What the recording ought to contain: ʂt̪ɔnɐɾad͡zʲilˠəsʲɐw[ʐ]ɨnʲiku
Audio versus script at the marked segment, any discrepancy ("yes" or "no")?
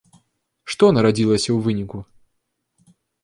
yes